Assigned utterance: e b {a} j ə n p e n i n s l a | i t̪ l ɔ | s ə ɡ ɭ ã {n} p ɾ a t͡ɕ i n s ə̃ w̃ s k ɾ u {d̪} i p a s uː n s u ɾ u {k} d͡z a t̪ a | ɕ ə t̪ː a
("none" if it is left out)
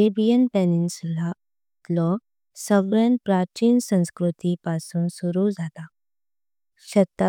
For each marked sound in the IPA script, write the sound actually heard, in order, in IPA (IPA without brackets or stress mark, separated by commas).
i, n, t̪, none